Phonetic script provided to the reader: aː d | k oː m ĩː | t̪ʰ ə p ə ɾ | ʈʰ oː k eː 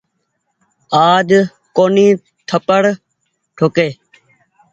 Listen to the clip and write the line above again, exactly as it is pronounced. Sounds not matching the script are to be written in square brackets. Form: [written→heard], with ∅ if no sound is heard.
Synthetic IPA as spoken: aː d | k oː [m→n] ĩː | t̪ʰ ə p ə [ɾ→ɽ] | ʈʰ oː k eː

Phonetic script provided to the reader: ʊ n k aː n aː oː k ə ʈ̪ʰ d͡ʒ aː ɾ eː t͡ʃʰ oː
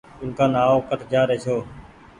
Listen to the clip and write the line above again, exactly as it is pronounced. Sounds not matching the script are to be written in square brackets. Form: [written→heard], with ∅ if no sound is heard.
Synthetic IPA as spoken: ʊ n k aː n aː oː k ə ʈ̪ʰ d͡ʒ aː ɾ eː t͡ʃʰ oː

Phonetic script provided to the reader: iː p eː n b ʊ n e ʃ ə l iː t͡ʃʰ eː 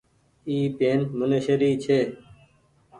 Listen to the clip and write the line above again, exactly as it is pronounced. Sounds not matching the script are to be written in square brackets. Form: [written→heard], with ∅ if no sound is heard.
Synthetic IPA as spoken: iː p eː n [b→m] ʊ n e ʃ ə [l→ɾ] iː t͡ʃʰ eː

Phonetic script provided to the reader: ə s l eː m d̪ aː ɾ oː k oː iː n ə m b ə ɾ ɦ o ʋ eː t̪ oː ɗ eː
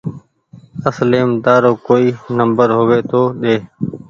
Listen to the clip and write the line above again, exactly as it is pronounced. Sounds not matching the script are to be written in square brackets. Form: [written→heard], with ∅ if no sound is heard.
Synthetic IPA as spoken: ə s l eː m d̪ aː ɾ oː k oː iː n ə m b ə ɾ ɦ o ʋ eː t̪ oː ɗ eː

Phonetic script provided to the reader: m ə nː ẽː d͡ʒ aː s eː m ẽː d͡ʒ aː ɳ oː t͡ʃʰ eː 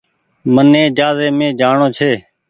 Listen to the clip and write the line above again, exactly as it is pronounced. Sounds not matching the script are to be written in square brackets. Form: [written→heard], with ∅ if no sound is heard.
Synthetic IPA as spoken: m ə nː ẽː d͡ʒ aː [s→z] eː m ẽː d͡ʒ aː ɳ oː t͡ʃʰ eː

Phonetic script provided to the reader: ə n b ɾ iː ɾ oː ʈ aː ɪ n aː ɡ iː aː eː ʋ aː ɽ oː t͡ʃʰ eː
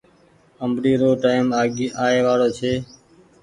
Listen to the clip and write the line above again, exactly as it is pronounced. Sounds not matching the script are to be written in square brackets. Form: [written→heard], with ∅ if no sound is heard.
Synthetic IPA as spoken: ə [n→m] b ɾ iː ɾ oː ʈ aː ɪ [n→m] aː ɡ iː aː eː ʋ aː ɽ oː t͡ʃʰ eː

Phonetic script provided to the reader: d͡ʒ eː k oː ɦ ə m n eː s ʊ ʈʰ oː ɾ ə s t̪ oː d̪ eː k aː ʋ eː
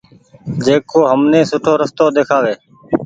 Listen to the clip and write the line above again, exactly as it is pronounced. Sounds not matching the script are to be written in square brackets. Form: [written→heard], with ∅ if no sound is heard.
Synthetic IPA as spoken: d͡ʒ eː k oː ɦ ə m n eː s ʊ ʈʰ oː ɾ ə s t̪ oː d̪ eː [k→kʰ] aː ʋ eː

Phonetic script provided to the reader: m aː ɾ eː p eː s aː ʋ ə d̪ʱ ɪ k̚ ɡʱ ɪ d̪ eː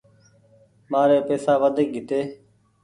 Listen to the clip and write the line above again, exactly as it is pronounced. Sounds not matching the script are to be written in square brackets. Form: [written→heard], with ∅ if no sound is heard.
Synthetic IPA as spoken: m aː ɾ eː p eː s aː ʋ ə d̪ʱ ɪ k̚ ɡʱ ɪ [d̪→t̪] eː

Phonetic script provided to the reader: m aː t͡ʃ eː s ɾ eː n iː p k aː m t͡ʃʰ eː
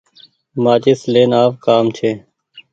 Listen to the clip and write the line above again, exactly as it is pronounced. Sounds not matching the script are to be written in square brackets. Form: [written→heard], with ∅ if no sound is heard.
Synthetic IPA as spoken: m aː t͡ʃ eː s [ɾ→l] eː n [iː→aː] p k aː m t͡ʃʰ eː

